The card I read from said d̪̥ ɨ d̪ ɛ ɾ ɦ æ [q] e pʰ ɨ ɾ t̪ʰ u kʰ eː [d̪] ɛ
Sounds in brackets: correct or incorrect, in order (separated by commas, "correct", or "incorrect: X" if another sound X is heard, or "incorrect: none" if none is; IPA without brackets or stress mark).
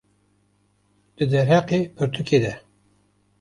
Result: correct, correct